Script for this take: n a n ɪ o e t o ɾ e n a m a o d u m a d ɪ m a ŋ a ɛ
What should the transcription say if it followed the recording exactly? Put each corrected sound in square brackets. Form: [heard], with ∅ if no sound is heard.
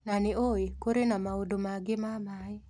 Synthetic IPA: n a n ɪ o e [k] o ɾ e n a m a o d [o] m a [ɡ] ɪ m a [m] a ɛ